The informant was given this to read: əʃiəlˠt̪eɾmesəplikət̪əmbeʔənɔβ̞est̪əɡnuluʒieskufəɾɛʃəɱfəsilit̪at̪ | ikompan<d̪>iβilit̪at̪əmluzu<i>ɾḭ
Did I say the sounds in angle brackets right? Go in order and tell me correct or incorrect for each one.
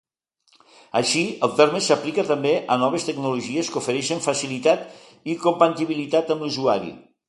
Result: incorrect: t̪, incorrect: a

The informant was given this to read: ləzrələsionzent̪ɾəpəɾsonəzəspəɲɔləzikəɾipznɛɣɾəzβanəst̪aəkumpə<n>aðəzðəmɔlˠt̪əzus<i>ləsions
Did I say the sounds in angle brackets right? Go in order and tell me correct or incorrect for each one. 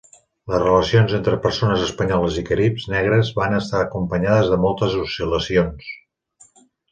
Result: incorrect: ɲ, correct

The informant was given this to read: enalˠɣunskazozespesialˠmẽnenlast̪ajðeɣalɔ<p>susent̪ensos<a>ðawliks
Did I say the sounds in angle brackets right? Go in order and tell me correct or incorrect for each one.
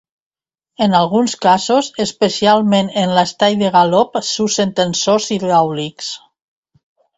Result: correct, incorrect: i

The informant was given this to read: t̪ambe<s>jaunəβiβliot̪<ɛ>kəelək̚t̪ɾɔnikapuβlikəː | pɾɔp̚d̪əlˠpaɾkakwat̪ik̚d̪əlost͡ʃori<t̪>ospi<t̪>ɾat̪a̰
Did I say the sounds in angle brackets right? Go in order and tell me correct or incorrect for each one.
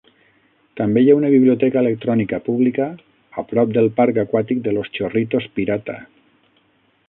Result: incorrect: none, correct, correct, incorrect: none

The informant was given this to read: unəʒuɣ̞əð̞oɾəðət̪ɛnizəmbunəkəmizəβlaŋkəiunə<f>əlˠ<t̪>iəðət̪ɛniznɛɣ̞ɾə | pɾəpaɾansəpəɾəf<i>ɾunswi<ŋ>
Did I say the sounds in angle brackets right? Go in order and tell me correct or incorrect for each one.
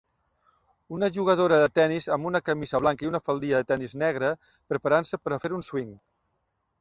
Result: correct, incorrect: d̪, incorrect: e, correct

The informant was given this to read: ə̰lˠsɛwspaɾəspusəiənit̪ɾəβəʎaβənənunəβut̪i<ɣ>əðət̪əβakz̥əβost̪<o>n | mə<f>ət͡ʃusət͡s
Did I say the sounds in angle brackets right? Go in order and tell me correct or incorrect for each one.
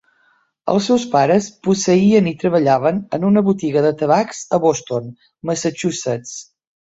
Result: correct, correct, incorrect: s

